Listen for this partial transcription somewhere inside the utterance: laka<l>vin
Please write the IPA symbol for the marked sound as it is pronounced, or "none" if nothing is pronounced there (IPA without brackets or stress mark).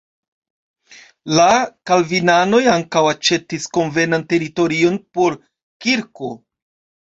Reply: l